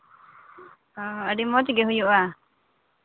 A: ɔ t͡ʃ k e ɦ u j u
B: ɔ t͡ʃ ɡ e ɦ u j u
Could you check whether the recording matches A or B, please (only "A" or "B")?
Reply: B